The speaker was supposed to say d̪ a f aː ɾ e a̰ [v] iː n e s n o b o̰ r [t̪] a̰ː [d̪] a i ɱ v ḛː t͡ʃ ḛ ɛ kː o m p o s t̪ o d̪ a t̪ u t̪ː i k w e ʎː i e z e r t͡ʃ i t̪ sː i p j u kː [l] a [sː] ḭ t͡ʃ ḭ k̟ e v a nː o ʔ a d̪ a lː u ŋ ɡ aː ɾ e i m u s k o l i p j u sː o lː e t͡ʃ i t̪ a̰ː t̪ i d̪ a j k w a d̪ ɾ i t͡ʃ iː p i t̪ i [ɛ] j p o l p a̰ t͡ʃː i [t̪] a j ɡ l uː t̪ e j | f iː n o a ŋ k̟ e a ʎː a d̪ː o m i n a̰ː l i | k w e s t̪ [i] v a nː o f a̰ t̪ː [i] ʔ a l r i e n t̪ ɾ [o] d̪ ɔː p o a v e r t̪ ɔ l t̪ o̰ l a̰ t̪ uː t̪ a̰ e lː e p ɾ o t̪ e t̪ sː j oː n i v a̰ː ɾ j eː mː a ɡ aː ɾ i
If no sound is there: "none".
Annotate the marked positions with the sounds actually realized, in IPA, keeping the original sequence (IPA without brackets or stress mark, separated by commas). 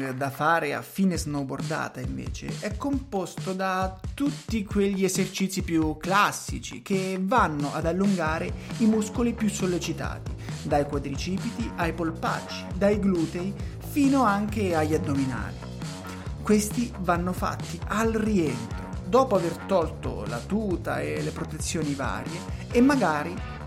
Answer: f, d̪, t̪, l, sː, a, d̪, i, i, o